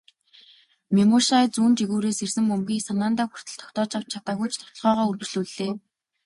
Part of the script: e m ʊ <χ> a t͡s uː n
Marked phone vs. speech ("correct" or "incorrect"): incorrect